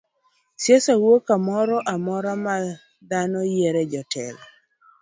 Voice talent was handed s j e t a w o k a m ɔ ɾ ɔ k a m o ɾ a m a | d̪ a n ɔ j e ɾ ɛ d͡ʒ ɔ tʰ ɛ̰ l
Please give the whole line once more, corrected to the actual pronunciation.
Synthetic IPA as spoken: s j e s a w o k a m ɔ ɾ ɔ ʔ a m ɔ ɾ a m a | d̪ a n ɔ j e ɾ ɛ d͡ʒ ɔ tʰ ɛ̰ l